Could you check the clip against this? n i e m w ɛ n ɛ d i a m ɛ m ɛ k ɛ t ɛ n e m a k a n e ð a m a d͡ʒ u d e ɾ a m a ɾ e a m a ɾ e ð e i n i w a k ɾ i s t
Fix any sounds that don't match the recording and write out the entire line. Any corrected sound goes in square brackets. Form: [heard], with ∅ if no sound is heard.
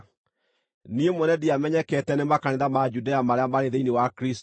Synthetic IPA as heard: n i e m w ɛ n ɛ d i a m ɛ [ɲ] ɛ k ɛ t ɛ n e m a k a n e ð a m a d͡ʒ u d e [∅] a m a ɾ e a m a ɾ e ð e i n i w a k ɾ i s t

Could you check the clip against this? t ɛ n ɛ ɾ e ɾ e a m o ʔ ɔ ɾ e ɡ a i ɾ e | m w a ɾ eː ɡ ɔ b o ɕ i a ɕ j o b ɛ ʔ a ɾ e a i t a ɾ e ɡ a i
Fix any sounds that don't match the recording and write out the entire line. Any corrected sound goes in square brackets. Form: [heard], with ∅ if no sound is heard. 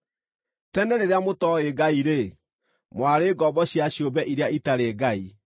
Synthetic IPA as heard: t ɛ n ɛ ɾ e ɾ e a m o [t] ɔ [∅] e ɡ a i ɾ e | m w a ɾ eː ɡ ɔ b [ɔ] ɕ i a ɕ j o b ɛ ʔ [i] ɾ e a i t a ɾ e ɡ a i

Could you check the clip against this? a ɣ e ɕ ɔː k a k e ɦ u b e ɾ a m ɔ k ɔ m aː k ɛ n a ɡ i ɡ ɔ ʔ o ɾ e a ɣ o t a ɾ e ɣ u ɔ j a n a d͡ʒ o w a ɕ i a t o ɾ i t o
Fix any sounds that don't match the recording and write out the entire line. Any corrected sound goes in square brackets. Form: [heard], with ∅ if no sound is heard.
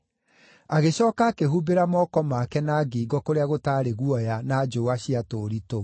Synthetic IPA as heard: a ɣ e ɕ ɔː k a k e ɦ u b e ɾ a m ɔ k ɔ m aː k ɛ n a ɡ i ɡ ɔ [k] o ɾ e a ɣ o t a ɾ e ɣ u ɔ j a n a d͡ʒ o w a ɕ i a t o ɾ i t o

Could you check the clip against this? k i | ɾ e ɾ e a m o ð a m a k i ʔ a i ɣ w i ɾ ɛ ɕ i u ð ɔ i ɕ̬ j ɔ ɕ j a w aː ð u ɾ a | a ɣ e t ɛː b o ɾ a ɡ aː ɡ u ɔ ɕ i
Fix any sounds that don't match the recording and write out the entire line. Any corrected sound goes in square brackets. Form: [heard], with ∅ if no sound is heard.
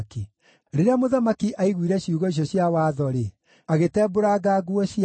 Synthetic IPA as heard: k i | ɾ e ɾ e a m o ð a m a k i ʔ a i ɣ w i ɾ ɛ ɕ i u [ɣ] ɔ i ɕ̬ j ɔ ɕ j a w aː ð [ɔ] ɾ [e] | a ɣ e t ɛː b o ɾ a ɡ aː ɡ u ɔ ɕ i

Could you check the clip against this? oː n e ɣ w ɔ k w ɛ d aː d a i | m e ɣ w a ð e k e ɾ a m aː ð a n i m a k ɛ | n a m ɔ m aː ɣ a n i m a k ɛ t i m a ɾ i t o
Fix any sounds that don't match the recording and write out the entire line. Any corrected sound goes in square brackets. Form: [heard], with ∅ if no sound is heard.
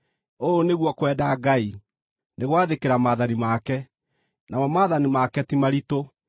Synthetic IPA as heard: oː n e ɣ w ɔ k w ɛ d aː [ɡ] a i | [n] e ɣ w a ð e k e ɾ a m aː ð a n i m a k ɛ | n a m ɔ m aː [ð] a n i m a k ɛ t i m a ɾ i t o

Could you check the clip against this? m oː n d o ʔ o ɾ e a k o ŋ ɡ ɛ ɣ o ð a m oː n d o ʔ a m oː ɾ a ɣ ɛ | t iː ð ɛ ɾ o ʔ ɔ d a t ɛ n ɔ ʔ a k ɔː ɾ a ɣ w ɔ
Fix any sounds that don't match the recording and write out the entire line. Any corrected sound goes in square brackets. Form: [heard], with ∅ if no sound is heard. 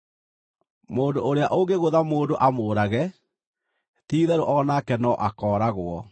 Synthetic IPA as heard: m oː n d o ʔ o ɾ e a [ʔ] o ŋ ɡ [e] ɣ o ð a m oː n d o ʔ a m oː ɾ a ɣ ɛ | t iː ð ɛ ɾ o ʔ ɔ [n] a [k] ɛ n ɔ ʔ a k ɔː ɾ a ɣ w ɔ

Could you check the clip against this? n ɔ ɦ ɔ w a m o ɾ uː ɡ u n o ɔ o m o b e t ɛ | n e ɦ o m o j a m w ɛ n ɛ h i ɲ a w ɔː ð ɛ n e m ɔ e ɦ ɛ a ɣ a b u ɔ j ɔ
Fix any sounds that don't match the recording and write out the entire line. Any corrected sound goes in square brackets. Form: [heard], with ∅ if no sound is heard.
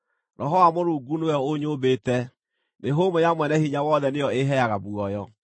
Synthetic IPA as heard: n ɔ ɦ ɔ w a m o ɾ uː ɡ u n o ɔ o [ɲ] o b e t ɛ | n e ɦ o m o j a m w ɛ n ɛ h i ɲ a w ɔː ð ɛ n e [∅] ɔ e ɦ ɛ a ɣ a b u ɔ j ɔ

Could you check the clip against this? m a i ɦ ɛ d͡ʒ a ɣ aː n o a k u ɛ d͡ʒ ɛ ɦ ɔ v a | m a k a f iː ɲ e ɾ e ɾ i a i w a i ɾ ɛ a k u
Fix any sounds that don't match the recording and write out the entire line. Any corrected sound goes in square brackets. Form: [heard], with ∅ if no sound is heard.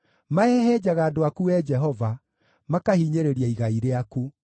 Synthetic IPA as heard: m a [ɛ] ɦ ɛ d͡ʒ a ɣ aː [d] o a k u ɛ d͡ʒ ɛ ɦ ɔ v a | m a k a [h] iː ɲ e ɾ e ɾ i a i [ɣ] a i ɾ [e] a k u

